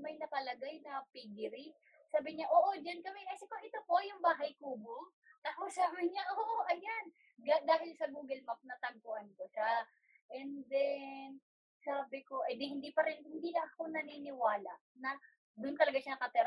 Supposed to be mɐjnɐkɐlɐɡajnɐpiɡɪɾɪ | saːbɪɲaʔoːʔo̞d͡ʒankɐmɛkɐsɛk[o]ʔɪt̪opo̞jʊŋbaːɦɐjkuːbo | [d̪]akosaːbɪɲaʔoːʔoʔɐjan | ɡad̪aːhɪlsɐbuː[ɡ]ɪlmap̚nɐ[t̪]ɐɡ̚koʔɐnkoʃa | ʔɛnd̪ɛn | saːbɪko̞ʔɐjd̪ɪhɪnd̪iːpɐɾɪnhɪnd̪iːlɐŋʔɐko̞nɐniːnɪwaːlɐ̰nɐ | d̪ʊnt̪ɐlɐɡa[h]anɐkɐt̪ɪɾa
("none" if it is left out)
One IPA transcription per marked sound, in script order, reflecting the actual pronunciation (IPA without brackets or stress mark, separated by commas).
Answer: o, t̪, ɡ, t̪, ʃ